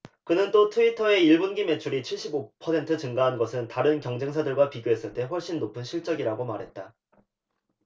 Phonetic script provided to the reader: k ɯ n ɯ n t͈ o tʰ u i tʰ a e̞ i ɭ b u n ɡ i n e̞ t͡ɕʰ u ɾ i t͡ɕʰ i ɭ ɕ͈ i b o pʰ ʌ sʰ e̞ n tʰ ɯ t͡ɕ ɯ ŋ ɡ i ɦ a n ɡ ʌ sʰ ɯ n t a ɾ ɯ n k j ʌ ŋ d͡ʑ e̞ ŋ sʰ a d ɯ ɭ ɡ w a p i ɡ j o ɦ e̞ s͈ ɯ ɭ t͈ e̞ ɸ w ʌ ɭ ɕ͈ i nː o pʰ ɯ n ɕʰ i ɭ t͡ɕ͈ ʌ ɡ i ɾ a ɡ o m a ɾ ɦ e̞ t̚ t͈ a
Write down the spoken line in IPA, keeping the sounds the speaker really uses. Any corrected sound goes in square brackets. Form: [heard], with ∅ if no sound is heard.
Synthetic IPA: k ɯ n ɯ n t͈ o tʰ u i tʰ [ʌ] e̞ i ɭ b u n ɡ i [m] e̞ t͡ɕʰ u ɾ i t͡ɕʰ i ɭ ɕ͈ i b o pʰ ʌ sʰ e̞ n tʰ ɯ t͡ɕ ɯ ŋ ɡ [a] ɦ a n ɡ ʌ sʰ ɯ n t a ɾ ɯ n k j ʌ ŋ d͡ʑ e̞ ŋ sʰ a d ɯ ɭ ɡ w a p i ɡ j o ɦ e̞ s͈ ɯ ɭ t͈ e̞ ɸ w ʌ ɭ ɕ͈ i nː o pʰ ɯ n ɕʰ i ɭ t͡ɕ͈ ʌ ɡ i ɾ a ɡ o m a ɾ ɦ e̞ t̚ t͈ a